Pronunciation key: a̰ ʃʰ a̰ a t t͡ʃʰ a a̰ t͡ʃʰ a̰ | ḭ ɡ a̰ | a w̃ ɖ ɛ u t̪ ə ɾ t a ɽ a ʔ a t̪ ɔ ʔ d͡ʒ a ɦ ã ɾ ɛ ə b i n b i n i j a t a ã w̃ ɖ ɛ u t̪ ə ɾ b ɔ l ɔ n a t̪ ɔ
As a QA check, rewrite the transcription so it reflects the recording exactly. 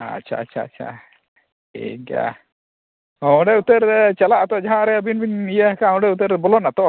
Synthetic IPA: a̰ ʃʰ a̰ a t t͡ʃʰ a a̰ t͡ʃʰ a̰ | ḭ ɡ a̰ | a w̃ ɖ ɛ u t̪ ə ɾ t͡ʃ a l a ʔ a t̪ ɔ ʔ d͡ʒ a ɦ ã ɾ ɛ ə b i n b i n i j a k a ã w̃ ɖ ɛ u t̪ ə ɾ b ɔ l ɔ n a t̪ ɔ